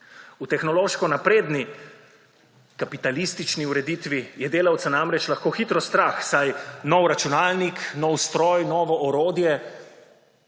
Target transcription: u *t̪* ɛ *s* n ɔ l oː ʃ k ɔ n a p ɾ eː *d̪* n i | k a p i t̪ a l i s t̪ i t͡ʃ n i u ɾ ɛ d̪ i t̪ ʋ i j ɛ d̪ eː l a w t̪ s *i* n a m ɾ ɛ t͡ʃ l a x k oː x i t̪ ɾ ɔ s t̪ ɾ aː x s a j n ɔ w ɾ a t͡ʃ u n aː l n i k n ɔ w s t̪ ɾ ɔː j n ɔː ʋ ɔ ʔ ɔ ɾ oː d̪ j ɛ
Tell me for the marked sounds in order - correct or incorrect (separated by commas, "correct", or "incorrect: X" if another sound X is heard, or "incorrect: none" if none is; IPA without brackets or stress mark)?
correct, incorrect: x, correct, incorrect: a